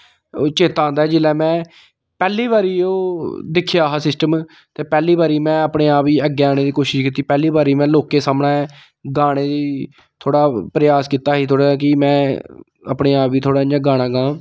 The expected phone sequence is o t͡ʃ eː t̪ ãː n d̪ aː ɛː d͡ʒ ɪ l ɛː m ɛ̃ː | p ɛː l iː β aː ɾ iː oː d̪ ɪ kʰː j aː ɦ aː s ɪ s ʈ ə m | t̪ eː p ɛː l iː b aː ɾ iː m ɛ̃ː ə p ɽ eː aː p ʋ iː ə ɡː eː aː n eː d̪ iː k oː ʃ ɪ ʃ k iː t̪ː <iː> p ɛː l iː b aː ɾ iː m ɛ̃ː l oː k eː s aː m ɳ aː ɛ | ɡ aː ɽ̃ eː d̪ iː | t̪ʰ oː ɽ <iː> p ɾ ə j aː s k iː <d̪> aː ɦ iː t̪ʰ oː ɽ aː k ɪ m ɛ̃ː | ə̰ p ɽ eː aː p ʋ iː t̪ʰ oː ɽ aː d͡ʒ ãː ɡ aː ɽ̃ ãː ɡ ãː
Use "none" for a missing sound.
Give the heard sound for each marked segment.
iː, aː, t̪

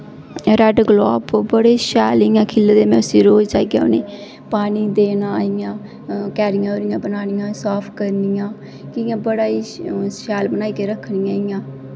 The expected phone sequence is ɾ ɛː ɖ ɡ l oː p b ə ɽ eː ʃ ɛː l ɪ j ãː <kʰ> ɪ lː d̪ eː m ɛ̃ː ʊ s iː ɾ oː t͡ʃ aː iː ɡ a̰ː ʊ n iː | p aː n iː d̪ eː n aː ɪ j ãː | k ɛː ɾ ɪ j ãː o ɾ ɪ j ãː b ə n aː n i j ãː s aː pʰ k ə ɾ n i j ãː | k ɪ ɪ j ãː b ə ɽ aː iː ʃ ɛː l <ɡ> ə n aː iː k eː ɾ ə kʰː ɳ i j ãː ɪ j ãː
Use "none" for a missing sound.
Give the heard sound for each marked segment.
kʰ, b

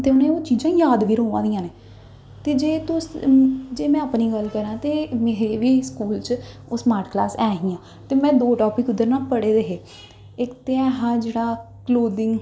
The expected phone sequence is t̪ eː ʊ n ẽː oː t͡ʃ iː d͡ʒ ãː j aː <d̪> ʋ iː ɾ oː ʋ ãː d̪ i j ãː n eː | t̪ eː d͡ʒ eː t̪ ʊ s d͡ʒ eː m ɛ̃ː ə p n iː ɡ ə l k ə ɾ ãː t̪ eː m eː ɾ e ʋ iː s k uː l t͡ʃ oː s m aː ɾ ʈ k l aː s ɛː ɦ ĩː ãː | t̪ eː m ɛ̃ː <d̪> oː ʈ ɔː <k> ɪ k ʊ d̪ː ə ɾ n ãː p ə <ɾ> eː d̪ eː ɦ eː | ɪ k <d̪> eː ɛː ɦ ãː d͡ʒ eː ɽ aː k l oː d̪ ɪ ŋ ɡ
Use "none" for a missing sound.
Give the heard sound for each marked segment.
d̪, d̪, p, ɽ, t̪

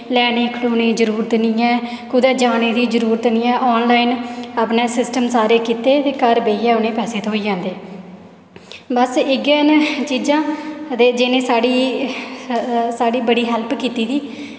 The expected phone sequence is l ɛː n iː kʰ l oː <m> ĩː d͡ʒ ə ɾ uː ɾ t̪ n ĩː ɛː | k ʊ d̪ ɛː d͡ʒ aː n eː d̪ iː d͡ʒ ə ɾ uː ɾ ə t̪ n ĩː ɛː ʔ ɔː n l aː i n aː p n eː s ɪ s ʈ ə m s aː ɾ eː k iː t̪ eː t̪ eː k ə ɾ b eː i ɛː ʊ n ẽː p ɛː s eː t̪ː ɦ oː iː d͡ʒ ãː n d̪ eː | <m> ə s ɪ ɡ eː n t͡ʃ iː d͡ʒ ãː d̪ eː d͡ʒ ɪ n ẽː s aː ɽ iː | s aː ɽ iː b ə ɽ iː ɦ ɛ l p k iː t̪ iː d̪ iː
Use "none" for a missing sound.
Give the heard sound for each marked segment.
n, b

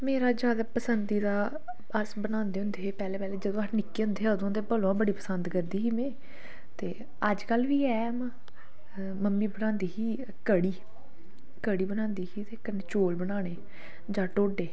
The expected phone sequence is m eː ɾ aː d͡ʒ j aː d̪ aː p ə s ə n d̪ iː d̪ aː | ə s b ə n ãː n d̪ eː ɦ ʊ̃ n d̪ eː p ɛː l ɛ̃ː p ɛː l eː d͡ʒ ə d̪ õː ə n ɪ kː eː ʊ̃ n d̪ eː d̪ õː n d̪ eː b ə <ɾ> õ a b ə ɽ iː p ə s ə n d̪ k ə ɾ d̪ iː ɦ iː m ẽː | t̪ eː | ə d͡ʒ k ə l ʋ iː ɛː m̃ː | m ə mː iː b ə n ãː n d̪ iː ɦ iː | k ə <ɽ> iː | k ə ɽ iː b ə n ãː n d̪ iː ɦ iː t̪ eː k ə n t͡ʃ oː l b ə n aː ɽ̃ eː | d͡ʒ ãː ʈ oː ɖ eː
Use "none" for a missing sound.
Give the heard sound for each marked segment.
l, ɽ

